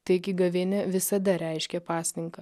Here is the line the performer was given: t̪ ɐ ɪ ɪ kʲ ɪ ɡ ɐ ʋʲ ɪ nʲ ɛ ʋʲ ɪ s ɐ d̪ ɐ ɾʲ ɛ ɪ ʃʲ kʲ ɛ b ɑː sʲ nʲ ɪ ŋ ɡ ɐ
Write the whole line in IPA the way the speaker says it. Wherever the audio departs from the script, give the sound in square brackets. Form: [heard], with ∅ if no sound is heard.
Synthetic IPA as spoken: t̪ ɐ ɪ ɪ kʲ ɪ ɡ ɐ ʋʲ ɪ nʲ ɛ ʋʲ ɪ s ɐ d̪ ɐ ɾʲ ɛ ɪ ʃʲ kʲ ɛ [p] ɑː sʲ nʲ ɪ ŋ [k] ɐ